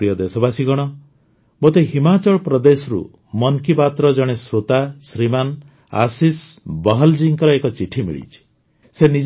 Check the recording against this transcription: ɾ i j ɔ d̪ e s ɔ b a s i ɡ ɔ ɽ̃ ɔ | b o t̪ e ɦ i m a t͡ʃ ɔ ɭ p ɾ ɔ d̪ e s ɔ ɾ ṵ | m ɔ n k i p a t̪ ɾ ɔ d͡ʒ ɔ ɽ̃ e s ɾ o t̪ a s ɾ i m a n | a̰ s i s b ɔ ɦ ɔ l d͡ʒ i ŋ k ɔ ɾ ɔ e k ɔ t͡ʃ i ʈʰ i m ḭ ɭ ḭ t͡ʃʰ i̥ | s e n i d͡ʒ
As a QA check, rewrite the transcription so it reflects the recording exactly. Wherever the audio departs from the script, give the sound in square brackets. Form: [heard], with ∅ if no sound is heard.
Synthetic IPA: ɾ i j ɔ d̪ e s ɔ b a s i ɡ ɔ ɽ̃ ɔ | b o t̪ e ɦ i m a t͡ʃ ɔ ɭ p ɾ ɔ d̪ e s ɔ ɾ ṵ | m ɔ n k i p a t̪ ɾ ɔ d͡ʒ ɔ ɽ̃ e s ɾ o t̪ a s ɾ i m a n | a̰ s i s b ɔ ɦ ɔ l d͡ʒ i ŋ k ɔ ɾ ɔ e k ɔ t͡ʃ i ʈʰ i m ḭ ɭ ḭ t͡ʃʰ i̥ | s e n i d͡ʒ